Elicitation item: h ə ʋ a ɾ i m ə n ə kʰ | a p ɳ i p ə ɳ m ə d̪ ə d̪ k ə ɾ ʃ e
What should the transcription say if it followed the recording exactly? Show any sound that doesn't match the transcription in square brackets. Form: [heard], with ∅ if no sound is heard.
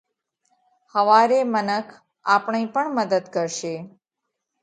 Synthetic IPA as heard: h ə ʋ a ɾ [e] m ə n ə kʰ | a p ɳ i p ə ɳ m ə d̪ ə d̪ k ə ɾ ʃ e